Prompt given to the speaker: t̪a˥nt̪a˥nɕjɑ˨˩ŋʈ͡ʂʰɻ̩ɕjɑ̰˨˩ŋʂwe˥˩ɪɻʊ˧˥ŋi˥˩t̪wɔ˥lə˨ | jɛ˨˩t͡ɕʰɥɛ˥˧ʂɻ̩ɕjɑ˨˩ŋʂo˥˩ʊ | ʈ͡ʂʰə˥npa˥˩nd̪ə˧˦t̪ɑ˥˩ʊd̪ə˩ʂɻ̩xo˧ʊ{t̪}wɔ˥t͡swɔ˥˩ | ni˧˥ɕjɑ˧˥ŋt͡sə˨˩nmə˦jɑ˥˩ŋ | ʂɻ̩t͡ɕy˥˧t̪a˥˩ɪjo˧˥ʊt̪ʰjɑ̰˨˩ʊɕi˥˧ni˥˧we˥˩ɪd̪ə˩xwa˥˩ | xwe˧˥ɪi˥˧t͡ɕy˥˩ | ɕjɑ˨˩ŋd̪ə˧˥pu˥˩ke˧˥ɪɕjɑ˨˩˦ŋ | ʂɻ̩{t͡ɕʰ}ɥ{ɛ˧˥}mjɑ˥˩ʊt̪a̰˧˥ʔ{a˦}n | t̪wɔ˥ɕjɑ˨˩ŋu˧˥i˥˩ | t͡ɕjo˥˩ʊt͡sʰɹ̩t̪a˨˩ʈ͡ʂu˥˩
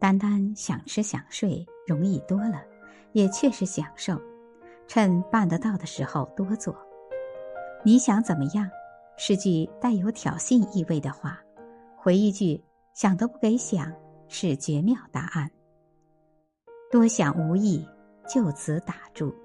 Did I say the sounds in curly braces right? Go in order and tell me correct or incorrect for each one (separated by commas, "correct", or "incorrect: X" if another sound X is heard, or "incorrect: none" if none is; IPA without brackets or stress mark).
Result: correct, incorrect: t͡ɕ, correct, incorrect: a˥˩